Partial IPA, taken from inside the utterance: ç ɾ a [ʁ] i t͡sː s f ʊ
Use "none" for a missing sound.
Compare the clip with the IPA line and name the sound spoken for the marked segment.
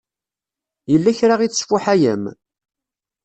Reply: ʁ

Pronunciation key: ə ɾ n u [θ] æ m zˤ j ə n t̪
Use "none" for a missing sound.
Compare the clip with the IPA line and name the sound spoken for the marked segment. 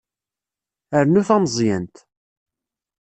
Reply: θ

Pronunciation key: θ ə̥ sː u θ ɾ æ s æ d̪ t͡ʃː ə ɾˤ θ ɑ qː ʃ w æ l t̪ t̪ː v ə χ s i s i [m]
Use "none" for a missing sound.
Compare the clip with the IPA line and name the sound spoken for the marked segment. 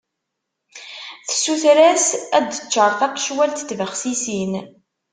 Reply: n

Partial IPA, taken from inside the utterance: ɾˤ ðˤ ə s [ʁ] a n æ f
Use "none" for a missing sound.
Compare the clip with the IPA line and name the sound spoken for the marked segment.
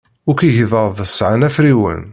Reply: ʕ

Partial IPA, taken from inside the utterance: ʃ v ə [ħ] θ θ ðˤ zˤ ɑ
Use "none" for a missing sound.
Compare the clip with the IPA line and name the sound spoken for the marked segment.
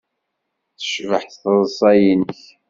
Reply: ħ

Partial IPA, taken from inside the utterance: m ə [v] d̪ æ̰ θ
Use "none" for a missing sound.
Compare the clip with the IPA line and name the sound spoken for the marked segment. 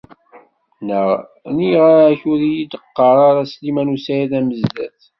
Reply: z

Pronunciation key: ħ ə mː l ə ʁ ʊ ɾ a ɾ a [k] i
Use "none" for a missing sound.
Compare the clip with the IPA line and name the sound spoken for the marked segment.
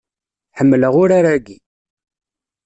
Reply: ɡ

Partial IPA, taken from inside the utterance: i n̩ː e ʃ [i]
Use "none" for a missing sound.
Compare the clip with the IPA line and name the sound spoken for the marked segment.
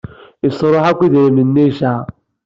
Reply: a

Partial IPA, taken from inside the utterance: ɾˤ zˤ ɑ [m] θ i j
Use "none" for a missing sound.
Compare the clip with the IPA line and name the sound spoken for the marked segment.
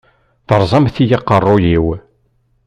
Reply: m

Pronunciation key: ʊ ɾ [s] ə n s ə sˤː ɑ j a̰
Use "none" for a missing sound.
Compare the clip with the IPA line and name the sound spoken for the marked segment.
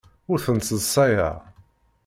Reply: θ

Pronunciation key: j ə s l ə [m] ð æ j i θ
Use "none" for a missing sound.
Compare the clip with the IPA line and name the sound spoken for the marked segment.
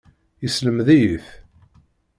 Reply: m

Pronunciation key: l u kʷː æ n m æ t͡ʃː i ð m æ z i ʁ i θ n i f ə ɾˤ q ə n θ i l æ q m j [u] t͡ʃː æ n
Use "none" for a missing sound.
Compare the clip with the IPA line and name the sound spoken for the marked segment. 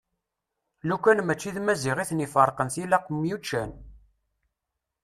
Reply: u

